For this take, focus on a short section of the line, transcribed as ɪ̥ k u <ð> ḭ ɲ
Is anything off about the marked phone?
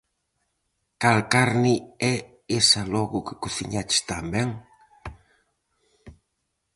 yes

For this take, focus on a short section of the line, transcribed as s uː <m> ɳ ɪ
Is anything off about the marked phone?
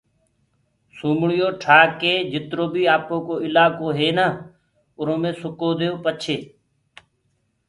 no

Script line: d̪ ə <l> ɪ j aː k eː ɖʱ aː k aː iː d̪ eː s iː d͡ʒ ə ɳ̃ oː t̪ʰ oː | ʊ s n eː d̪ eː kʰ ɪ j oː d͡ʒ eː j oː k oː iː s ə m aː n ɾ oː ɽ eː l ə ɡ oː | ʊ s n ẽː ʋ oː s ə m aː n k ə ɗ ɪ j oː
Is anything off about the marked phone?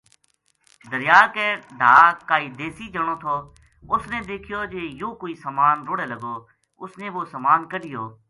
yes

